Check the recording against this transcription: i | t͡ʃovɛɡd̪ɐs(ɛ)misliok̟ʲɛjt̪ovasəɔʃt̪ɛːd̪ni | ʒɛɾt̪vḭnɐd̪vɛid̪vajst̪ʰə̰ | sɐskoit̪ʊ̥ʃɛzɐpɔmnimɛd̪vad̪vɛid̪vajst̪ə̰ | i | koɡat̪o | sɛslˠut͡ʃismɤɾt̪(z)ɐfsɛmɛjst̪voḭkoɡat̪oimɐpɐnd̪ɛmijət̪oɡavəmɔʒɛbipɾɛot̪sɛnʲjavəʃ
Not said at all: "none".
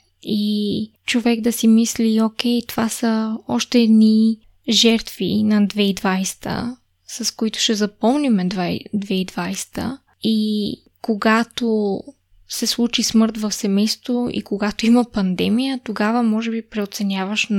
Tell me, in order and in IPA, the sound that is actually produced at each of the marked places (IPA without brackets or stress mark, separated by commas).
i, v